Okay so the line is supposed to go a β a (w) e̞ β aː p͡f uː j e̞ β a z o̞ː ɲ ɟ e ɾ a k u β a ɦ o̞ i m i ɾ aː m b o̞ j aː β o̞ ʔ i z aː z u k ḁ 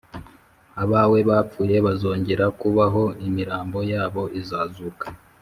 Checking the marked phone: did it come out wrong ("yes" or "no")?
no